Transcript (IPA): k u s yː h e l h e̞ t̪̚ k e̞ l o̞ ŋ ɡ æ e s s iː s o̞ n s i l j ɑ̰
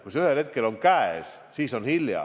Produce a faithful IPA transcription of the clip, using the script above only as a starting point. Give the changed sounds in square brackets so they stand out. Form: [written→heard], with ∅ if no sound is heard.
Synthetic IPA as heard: k u s [yː→y] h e l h e̞ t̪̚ k e̞ l o̞ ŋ [ɡ→k] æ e s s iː s o̞ n [s→h] i l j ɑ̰